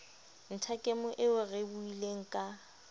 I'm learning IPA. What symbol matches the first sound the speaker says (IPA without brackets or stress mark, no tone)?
n̩